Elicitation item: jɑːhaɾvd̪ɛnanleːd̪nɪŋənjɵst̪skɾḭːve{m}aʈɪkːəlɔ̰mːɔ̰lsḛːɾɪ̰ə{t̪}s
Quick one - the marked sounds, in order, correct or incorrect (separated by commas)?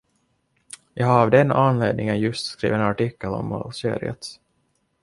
incorrect, correct